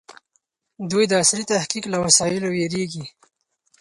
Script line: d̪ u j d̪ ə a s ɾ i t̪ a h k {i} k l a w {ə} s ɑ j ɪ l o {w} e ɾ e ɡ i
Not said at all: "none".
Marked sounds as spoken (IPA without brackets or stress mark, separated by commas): i, a, w